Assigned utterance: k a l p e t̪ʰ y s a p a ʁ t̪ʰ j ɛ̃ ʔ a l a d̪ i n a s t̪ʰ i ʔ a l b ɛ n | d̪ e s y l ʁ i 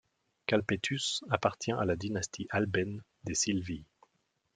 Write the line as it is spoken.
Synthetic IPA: k a l p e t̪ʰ y s a p a ʁ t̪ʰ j ɛ̃ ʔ a l a d̪ i n a s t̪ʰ i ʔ a l b ɛ n | d̪ e s i l v i